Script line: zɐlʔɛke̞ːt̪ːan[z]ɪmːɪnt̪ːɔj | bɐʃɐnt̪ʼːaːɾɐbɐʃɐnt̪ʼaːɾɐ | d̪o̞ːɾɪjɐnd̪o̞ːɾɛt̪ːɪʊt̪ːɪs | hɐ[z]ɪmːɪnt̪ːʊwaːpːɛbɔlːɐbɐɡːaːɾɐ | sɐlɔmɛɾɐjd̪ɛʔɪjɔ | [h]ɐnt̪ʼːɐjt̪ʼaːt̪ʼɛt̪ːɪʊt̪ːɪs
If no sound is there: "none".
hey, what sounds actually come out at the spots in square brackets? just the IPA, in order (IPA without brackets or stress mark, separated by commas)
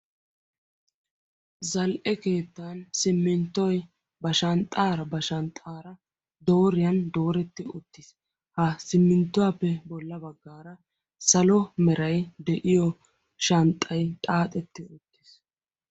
s, s, ʃ